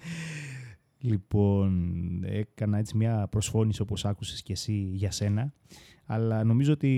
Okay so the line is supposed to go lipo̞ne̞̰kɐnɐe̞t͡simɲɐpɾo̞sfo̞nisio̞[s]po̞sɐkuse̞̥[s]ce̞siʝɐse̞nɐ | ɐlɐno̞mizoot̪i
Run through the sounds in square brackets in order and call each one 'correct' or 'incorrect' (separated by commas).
incorrect, correct